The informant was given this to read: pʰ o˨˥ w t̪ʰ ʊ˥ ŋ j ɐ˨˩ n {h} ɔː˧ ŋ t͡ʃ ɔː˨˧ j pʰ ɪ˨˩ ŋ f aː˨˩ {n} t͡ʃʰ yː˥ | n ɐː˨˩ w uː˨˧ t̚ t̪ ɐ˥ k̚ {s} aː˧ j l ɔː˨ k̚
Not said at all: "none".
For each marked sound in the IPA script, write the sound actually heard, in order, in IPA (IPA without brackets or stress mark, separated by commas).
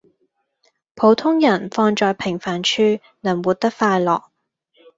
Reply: f, n, f